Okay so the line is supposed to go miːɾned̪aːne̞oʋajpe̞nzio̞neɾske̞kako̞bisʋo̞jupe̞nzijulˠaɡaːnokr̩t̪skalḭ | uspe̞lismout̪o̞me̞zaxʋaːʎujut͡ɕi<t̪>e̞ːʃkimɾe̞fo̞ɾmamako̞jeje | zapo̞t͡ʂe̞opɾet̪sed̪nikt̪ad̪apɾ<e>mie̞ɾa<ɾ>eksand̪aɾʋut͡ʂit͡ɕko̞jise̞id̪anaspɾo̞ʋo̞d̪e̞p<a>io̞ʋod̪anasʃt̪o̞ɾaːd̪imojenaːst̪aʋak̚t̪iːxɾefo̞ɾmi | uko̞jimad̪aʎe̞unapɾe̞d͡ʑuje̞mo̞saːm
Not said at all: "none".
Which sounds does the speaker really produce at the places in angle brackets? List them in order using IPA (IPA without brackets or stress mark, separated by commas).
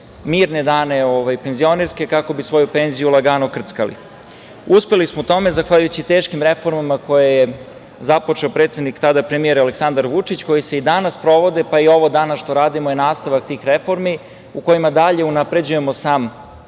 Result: t̪, e, l, a